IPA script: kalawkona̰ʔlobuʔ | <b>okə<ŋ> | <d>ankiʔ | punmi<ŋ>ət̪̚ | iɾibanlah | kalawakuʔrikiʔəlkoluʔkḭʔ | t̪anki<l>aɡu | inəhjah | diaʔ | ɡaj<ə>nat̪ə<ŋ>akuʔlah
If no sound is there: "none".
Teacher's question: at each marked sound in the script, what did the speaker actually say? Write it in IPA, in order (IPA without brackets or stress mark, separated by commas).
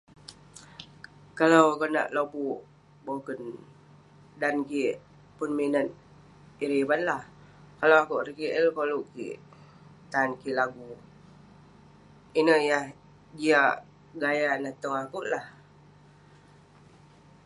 b, n, d, n, l, a, ŋ